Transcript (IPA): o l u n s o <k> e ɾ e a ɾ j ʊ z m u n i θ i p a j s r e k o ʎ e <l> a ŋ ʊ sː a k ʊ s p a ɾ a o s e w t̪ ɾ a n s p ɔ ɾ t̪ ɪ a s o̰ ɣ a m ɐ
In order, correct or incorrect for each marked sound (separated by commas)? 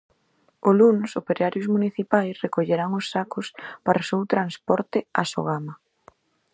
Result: incorrect, incorrect